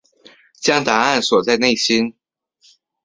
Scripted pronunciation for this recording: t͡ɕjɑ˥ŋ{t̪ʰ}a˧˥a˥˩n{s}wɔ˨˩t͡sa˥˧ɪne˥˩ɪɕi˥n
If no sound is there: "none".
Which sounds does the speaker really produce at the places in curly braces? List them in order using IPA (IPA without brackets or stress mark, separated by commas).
t̪, s